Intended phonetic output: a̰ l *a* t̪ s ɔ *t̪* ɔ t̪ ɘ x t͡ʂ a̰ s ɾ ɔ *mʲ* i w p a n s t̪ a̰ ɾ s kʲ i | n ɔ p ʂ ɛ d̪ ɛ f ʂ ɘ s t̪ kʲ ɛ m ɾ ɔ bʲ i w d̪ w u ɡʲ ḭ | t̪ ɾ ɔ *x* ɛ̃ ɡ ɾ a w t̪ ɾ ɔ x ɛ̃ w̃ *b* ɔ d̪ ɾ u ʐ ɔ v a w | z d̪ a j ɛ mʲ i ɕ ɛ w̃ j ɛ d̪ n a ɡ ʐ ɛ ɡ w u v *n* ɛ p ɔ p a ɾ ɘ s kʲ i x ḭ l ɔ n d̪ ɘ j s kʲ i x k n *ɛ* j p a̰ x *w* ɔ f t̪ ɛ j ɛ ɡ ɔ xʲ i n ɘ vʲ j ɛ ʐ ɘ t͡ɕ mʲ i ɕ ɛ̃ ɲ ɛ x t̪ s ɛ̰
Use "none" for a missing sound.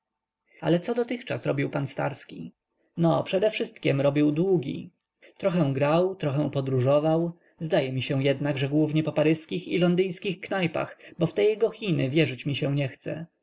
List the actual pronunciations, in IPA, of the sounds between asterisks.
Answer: ɛ, d̪, bʲ, x, p, ɲ, a, b

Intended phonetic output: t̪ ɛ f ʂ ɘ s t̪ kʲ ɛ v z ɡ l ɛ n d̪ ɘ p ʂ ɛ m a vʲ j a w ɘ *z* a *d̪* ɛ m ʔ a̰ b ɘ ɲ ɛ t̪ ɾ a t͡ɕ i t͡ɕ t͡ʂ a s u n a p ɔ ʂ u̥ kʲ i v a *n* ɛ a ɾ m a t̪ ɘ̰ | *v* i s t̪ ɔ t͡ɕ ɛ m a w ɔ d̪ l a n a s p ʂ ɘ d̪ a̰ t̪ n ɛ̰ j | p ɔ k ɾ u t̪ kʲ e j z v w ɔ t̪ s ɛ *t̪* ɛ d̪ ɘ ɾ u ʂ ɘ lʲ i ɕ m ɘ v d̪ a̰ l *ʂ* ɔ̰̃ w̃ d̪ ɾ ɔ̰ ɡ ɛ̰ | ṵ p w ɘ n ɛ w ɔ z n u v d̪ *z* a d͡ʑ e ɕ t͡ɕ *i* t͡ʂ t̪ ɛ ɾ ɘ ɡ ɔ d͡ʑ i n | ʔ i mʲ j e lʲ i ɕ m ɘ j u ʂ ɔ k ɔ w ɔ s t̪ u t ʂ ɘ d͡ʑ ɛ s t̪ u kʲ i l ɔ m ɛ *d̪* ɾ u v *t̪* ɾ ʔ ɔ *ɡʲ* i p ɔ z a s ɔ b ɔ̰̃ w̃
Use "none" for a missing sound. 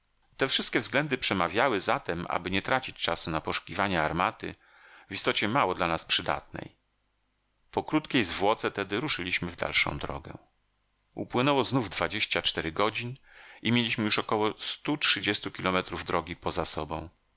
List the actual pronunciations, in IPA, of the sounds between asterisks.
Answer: z, t̪, ɲ, v, t̪, ʂ, v, a, t̪, d̪, ɡʲ

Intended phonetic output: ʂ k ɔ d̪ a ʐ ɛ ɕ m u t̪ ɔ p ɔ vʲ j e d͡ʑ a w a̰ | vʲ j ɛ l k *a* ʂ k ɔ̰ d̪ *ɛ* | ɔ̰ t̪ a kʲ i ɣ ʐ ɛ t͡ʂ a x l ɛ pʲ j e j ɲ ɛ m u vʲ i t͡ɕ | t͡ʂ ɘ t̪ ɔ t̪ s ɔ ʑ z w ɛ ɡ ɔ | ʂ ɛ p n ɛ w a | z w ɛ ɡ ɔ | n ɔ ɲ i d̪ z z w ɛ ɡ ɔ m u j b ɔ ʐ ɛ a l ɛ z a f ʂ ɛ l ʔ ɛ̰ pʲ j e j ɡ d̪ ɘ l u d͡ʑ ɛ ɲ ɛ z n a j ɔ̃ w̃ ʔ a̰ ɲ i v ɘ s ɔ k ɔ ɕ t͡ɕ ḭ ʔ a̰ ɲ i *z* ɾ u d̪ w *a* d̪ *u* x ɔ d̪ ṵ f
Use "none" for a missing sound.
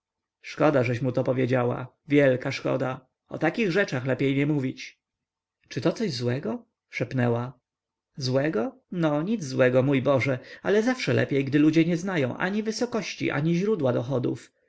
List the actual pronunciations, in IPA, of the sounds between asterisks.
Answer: a, a, ʑ, a, ɔ

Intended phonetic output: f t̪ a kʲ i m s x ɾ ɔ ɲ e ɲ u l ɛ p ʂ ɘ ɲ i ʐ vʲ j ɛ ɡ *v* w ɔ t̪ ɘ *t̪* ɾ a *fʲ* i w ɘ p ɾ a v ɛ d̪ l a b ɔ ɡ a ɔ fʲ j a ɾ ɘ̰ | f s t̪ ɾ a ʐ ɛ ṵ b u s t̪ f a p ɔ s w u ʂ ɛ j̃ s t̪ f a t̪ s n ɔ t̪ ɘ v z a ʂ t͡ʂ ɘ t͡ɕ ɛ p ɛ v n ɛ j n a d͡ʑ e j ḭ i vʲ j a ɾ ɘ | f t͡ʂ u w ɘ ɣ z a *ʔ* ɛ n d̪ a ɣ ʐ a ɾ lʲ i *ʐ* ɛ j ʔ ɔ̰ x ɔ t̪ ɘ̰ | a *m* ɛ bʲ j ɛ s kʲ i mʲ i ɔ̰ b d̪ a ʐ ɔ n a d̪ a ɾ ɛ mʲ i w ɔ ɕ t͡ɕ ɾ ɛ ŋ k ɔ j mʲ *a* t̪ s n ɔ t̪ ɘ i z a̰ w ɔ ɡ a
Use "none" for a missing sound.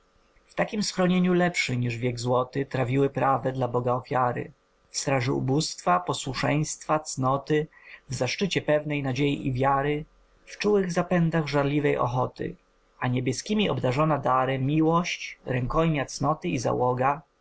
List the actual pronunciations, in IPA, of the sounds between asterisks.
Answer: z, t̪, vʲ, p, v, ɲ, a

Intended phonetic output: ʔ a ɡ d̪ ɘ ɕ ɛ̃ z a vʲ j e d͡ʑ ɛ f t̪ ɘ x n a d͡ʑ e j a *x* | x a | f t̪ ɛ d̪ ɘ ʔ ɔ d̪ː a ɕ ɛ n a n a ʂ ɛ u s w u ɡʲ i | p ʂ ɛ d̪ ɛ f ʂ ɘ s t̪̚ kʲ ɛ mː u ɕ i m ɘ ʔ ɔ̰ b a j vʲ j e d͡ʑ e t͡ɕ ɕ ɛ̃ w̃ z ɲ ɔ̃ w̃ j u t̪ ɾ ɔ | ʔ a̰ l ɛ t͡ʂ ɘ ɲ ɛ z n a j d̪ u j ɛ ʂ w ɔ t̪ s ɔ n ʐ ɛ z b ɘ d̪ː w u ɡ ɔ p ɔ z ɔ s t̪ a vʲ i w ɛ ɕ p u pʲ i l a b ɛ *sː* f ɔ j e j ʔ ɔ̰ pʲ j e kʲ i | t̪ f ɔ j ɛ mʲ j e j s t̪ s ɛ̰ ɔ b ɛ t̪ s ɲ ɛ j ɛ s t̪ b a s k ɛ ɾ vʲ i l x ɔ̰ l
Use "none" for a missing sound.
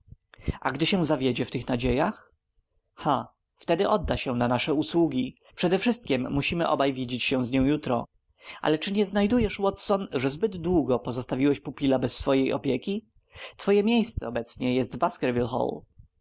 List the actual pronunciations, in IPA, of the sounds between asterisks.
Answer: x, sː

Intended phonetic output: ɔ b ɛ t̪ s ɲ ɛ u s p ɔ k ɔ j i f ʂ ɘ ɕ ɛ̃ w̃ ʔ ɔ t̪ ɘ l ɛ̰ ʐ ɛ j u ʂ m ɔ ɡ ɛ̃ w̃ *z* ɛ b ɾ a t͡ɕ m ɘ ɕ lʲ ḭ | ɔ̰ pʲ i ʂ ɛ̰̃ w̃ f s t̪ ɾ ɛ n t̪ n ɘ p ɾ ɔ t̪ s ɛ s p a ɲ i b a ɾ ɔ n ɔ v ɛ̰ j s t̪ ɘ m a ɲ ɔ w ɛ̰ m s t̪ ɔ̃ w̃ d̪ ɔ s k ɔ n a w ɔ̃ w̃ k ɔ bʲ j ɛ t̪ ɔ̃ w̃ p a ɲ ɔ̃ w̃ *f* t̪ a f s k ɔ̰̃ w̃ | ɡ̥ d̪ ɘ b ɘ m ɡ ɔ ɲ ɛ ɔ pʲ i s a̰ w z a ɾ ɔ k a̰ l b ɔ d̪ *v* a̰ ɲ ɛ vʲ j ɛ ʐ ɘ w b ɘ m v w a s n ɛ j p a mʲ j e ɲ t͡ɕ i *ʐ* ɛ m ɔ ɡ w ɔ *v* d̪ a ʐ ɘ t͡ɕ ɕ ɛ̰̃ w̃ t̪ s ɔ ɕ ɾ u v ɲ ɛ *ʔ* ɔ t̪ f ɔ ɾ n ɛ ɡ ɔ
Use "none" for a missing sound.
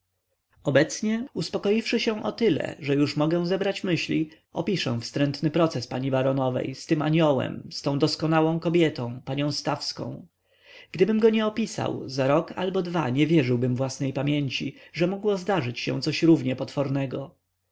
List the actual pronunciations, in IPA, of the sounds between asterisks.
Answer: z, s, v, ʐ, z, p

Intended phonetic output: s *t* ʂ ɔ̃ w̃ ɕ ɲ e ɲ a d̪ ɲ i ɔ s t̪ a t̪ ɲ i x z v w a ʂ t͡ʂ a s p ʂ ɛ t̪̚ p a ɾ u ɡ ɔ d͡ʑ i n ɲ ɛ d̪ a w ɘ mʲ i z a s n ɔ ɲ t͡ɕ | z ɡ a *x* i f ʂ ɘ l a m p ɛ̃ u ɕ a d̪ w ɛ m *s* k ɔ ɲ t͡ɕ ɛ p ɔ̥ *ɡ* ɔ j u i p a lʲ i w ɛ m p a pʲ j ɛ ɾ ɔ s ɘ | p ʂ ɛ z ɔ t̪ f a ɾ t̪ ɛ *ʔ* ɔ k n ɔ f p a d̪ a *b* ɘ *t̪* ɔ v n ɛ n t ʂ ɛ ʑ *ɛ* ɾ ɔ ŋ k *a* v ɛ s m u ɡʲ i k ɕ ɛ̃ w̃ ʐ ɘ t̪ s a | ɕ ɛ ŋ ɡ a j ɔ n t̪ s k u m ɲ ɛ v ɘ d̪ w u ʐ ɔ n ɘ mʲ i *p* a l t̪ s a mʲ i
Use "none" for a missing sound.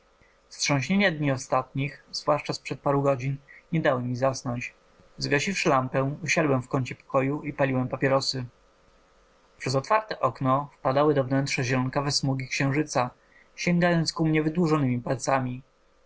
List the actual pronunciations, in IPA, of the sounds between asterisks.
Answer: t, ɕ, f, k, ʔ, w, d̪, ɛ, a, p

